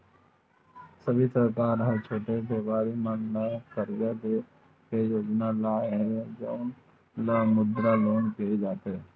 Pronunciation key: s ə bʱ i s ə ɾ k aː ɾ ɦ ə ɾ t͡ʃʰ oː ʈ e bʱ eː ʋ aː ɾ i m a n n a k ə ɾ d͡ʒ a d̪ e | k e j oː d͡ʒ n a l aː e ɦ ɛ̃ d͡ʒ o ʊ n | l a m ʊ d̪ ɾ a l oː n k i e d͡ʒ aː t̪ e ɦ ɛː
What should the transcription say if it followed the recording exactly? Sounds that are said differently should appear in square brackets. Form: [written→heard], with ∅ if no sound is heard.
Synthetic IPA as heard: s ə bʱ i s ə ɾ k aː ɾ ɦ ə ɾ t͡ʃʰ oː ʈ e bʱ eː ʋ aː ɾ i m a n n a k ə ɾ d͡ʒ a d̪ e | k e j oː d͡ʒ n a l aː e ɦ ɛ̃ d͡ʒ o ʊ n | l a m ʊ d̪ ɾ a l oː n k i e d͡ʒ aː t̪ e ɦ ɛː